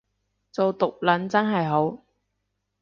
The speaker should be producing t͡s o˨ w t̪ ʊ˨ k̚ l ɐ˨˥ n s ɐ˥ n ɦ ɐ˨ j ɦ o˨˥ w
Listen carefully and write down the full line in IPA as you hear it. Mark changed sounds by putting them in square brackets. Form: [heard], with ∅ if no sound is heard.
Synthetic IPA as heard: t͡s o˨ w t̪ ʊ˨ k̚ l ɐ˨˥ n [t͡s] ɐ˥ n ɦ ɐ˨ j ɦ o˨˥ w